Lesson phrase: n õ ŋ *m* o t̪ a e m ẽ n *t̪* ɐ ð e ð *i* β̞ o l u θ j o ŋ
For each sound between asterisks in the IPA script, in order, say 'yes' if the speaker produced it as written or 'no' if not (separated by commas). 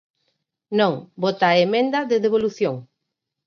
no, no, no